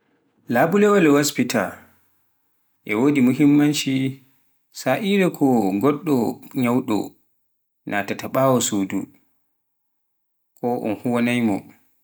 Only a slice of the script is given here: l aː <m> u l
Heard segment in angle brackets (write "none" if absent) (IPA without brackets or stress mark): b